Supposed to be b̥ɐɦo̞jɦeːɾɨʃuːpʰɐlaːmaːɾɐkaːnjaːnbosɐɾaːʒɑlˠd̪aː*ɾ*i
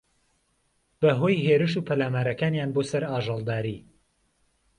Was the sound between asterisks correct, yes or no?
yes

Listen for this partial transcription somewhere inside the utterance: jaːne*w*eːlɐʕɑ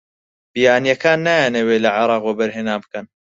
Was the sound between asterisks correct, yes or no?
yes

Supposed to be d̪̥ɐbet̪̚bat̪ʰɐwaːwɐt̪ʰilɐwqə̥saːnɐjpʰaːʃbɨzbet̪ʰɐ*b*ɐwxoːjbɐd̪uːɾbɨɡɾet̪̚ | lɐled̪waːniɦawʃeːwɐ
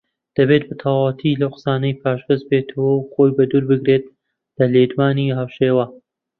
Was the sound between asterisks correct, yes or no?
no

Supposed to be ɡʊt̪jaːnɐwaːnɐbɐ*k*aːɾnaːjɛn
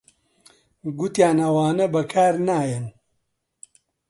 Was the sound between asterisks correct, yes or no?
no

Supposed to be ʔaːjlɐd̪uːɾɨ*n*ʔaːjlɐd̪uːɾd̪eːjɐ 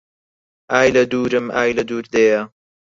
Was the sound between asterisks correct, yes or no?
no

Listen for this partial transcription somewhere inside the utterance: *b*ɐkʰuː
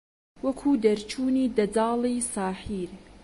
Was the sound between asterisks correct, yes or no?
no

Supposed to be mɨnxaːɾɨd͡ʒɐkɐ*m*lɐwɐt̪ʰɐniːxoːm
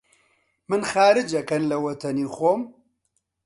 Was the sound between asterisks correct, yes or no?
no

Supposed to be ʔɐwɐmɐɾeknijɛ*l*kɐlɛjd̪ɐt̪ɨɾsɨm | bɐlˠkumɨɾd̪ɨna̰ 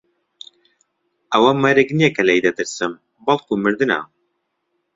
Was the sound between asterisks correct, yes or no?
no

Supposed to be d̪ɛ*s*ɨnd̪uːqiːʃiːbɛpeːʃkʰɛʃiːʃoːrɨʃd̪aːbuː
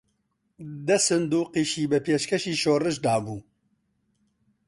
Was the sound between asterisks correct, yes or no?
yes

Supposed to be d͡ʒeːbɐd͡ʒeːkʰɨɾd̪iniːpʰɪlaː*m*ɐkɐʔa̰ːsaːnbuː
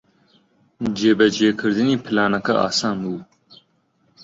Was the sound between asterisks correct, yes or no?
no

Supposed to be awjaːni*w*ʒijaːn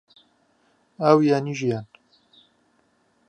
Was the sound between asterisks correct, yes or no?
no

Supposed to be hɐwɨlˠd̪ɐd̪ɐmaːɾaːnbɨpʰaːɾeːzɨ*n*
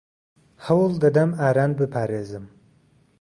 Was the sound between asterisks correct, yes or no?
no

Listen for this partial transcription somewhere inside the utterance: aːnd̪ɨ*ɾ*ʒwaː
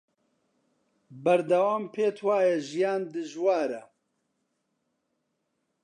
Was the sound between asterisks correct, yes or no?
no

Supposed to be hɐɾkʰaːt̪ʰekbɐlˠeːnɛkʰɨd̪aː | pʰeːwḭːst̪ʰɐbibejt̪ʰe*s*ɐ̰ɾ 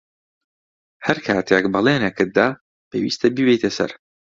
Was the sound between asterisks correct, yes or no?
yes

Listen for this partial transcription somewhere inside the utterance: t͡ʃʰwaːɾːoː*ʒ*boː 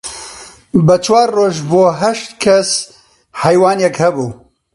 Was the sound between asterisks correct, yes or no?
yes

